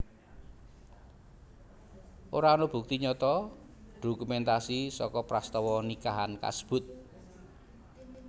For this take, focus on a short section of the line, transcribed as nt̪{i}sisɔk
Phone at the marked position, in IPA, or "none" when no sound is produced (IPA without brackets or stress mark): a